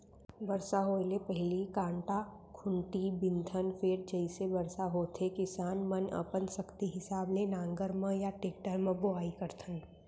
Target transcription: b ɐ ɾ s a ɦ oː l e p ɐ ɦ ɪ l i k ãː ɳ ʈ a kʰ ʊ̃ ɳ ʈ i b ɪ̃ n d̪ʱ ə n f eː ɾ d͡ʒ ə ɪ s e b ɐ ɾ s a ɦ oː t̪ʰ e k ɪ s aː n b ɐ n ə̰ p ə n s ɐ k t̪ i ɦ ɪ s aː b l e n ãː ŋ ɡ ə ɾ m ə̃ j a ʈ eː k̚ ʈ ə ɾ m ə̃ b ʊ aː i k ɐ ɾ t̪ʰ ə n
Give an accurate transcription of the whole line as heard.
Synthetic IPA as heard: b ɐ ɾ s a ɦ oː l e p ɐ ɦ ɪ l i k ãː ɳ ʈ a kʰ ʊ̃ ɳ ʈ i b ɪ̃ n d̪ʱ ə n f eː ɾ d͡ʒ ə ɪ s e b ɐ ɾ s a ɦ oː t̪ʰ e k ɪ s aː n m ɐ n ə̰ p ə n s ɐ k t̪ i ɦ ɪ s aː b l e n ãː ŋ ɡ ə ɾ m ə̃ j a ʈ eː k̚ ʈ ə ɾ m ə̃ b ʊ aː i k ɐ ɾ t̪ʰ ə n